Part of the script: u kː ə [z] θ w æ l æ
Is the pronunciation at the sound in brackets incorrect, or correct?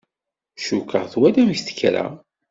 incorrect: ʁ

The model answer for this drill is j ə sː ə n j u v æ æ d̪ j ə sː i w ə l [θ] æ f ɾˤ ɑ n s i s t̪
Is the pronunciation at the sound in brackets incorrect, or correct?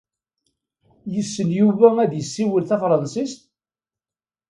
correct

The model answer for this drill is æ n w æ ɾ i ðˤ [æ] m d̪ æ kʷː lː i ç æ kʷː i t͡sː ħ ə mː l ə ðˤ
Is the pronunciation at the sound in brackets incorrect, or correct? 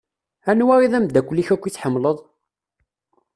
correct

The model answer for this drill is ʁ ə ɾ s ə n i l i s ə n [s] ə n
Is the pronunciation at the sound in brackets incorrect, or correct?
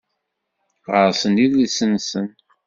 correct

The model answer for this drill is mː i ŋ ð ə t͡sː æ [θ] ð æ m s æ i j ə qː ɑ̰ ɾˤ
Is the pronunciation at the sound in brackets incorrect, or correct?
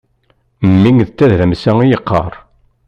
incorrect: ð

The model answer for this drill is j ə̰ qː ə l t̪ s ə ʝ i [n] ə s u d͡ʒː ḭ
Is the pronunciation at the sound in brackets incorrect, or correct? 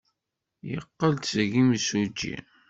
incorrect: m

